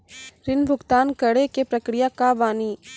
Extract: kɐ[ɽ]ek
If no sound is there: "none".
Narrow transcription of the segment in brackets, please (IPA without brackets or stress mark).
ɽ